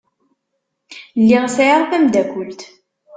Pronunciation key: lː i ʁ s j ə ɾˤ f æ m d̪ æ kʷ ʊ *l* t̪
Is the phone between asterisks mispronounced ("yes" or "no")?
no